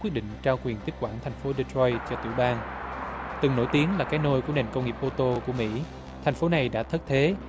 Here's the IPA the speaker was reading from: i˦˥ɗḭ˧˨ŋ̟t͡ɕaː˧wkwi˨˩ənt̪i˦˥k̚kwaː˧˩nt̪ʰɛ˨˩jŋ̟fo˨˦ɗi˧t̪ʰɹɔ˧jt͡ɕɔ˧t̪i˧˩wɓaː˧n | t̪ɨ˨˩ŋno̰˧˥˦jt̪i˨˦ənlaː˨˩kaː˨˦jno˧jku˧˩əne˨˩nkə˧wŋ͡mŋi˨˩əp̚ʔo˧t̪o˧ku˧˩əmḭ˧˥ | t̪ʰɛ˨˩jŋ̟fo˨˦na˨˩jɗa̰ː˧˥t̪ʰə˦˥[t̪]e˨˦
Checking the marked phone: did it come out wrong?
yes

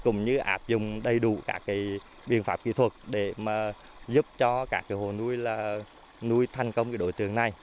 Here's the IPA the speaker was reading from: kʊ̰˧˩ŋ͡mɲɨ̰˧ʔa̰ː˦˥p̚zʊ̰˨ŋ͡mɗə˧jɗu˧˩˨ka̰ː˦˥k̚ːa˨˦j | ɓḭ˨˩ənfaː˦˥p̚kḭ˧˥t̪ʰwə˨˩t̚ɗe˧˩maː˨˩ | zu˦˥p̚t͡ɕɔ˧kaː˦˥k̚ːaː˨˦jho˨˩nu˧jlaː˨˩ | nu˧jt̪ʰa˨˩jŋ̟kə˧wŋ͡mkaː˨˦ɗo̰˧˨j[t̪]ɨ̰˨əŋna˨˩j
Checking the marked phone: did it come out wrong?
no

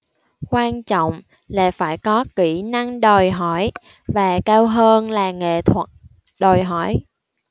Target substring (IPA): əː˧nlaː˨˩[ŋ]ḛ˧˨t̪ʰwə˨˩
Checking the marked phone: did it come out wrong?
no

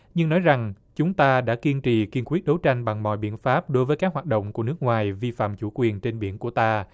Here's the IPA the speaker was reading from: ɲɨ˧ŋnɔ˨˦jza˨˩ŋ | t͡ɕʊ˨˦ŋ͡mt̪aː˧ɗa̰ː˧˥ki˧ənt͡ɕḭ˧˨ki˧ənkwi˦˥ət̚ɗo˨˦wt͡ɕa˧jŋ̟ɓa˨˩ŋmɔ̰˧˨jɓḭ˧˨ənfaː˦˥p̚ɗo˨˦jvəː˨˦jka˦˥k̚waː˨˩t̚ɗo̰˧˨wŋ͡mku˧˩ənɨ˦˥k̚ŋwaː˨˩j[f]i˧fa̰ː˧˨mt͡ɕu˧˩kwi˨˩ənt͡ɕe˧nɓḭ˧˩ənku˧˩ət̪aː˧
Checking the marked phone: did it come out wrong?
yes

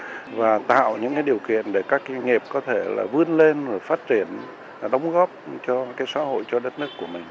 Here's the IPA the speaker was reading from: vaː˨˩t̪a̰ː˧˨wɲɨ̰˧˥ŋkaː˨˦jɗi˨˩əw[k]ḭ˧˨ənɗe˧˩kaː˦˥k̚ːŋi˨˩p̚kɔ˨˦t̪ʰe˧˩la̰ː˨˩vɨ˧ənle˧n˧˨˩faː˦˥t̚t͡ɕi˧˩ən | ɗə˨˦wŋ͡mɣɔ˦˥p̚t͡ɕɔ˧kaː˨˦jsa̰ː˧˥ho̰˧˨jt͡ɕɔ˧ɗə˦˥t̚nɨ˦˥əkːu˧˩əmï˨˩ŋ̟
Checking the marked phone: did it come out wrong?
no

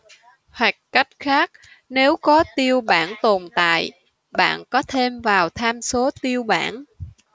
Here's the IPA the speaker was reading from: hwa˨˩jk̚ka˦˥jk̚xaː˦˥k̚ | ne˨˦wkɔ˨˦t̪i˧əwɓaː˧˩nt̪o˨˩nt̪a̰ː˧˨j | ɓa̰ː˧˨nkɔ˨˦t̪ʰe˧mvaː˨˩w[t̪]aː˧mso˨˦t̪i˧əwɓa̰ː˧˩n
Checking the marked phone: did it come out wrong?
yes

